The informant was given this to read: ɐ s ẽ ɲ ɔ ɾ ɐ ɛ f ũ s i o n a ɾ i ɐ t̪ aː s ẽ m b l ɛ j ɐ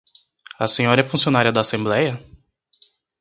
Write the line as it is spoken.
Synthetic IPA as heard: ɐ s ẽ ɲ ɔ ɾ ɐ ɛ f ũ s i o n a ɾ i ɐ d̪ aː s ẽ m b l ɛ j ɐ